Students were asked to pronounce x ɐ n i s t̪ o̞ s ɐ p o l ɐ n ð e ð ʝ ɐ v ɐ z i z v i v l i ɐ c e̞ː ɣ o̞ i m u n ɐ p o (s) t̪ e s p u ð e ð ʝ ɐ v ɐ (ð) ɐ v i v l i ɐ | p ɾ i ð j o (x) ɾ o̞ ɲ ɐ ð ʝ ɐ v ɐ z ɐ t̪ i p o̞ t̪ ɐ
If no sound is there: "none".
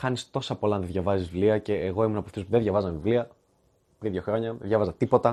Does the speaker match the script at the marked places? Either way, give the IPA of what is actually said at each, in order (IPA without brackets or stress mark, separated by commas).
f, z, x